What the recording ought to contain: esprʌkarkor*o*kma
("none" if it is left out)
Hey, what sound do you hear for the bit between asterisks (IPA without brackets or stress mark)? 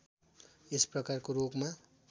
o